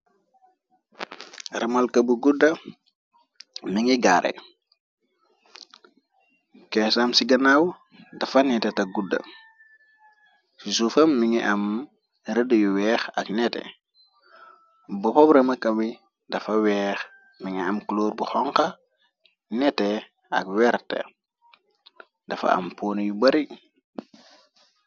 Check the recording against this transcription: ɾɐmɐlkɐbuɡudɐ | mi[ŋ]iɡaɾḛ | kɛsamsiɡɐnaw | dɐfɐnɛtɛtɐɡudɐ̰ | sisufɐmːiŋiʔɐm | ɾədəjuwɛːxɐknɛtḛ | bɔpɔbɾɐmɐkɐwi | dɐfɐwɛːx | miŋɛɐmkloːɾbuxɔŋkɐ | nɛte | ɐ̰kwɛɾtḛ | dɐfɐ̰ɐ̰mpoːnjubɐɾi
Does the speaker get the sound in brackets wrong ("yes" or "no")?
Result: no